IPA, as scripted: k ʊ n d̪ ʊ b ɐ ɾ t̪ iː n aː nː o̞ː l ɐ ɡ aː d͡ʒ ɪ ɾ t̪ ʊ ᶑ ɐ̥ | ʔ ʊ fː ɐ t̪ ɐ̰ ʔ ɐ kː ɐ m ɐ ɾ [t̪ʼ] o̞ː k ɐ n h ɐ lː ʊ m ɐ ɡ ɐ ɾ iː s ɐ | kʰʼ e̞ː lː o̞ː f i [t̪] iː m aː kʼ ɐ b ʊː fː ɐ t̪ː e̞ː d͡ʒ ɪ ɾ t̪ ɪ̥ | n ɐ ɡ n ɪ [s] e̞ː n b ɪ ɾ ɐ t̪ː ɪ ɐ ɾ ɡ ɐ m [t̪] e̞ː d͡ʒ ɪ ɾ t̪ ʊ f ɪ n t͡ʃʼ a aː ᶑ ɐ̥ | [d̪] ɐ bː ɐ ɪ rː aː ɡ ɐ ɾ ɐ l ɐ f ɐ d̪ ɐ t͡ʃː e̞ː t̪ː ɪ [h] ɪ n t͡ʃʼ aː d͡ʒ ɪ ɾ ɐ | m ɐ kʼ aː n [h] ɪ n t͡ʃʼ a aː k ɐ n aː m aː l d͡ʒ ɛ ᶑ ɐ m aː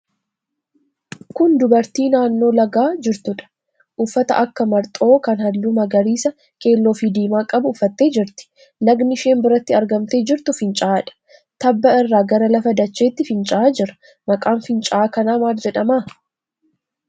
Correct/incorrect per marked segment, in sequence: correct, incorrect: d̪, incorrect: ʃ, correct, incorrect: t̪, incorrect: f, incorrect: f

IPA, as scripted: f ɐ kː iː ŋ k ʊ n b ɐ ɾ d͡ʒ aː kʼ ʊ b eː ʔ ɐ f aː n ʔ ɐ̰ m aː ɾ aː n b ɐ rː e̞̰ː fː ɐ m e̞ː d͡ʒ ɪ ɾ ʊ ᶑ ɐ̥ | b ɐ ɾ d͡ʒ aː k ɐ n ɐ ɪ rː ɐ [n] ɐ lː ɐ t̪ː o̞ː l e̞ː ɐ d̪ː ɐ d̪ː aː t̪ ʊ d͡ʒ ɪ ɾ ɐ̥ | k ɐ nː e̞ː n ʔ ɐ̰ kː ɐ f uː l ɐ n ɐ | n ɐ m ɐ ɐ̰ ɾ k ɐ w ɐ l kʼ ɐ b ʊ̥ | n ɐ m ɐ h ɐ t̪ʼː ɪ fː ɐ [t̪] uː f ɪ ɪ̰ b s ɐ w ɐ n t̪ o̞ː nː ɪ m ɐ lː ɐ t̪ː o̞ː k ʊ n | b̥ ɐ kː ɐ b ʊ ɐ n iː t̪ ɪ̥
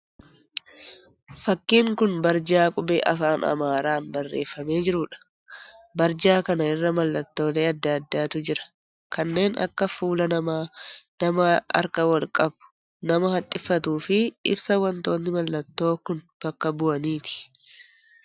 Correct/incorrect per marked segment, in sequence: incorrect: m, correct

